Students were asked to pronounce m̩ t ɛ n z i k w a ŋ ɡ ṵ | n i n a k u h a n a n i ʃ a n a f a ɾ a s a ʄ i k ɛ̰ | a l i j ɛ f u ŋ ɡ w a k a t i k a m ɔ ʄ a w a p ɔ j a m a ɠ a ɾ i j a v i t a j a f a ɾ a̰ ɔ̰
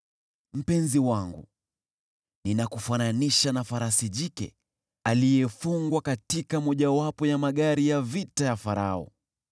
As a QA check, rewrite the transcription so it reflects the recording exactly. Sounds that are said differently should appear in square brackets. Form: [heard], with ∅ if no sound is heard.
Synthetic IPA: m̩ [p] ɛ n z i [∅] w a ŋ ɡ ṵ | n i n a k u [f] a n a n i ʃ a n a f a ɾ a s [i] ʄ i k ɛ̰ | a l i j ɛ f u ŋ ɡ w a k a t i k a m ɔ ʄ a w a p ɔ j a m a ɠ a ɾ i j a v i t a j a f a ɾ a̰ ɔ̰